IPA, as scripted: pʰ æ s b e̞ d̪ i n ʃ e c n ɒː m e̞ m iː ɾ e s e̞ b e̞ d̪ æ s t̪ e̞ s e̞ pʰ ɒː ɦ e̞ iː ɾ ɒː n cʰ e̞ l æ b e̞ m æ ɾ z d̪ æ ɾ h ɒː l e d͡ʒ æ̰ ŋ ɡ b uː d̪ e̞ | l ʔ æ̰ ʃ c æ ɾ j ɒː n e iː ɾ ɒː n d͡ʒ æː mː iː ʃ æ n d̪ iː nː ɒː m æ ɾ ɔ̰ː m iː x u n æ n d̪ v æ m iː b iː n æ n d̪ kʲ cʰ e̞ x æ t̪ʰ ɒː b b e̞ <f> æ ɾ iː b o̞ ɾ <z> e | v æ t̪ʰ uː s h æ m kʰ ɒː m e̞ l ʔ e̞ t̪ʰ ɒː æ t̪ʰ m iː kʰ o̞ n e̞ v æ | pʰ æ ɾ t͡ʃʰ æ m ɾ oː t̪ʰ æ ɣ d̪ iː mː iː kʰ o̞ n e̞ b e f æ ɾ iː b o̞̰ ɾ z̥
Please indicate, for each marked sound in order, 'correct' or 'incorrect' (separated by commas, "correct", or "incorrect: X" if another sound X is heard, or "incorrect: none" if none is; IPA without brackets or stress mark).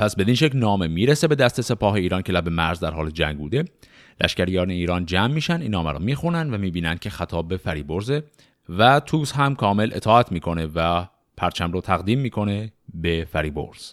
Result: correct, correct